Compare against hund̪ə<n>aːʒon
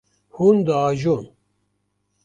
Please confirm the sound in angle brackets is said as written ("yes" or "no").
no